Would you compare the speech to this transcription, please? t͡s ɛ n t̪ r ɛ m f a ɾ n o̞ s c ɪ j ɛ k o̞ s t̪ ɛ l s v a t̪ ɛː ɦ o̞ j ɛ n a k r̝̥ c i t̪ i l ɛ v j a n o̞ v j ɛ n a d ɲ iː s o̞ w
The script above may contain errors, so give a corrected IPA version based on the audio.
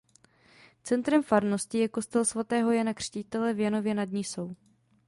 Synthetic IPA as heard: t͡s ɛ n t̪ ɾ ɛ m f a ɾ n o̞ s c ɪ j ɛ k o̞ s t̪ ɛ l s v a t̪ ɛː ɦ o̞ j ɛ n a k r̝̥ c i t̪ ɛ l ɛ v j a n o̞ v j ɛ n a d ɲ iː s o̞ w